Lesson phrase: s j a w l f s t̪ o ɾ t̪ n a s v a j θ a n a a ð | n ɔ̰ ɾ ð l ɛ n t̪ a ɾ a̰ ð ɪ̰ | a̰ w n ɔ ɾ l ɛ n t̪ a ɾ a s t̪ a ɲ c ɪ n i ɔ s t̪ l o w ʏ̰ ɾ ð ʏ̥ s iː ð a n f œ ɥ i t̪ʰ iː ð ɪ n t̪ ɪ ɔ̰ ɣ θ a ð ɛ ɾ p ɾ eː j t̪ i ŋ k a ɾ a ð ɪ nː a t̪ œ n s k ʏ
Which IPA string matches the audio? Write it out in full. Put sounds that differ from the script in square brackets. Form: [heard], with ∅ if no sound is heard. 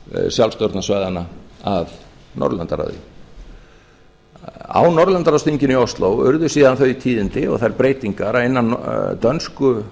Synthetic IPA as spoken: s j a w l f s t̪ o ɾ t̪ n a s v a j [ð] a n a a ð | n ɔ̰ ɾ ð l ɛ n t̪ a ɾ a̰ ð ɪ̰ | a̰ w n ɔ ɾ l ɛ n t̪ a ɾ a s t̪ [i] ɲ c ɪ n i ɔ s t̪ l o w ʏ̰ ɾ ð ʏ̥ s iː ð a n [θ] œ ɥ i t̪ʰ iː ð ɪ n t̪ ɪ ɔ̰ ɣ θ a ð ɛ ɾ p ɾ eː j t̪ i ŋ k a ɾ a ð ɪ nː a t̪ œ n s k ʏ